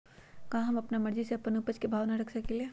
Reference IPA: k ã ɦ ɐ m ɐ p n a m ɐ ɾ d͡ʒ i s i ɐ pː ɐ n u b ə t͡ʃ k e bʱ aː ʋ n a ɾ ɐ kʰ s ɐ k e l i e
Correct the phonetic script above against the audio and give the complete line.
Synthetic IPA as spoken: k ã ɦ ɐ m ɐ p n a m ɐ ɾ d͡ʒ i s e ɐ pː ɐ n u p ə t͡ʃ k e bʱ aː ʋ n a ɾ ɐ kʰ s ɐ k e l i e